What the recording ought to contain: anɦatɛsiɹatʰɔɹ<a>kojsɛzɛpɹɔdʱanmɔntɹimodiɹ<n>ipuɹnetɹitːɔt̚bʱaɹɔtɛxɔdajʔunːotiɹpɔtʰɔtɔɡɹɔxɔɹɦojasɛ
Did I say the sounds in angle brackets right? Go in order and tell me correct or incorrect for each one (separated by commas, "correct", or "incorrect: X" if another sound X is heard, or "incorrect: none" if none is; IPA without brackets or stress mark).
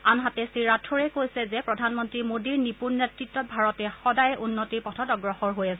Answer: incorrect: ɛ, correct